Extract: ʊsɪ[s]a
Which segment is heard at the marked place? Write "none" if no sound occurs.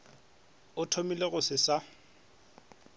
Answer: s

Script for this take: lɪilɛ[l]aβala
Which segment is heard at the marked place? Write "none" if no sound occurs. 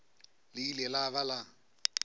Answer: l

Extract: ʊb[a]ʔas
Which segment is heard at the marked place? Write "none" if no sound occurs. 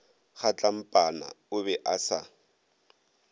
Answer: ɛ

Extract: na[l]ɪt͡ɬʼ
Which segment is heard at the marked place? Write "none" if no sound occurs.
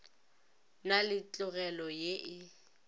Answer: l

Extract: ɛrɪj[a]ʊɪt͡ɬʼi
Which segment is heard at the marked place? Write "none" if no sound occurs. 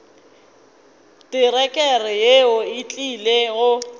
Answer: e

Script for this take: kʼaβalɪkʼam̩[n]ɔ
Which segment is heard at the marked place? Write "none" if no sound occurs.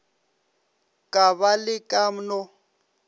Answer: n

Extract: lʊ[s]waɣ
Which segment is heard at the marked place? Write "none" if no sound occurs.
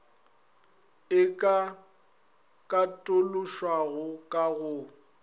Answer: ʃ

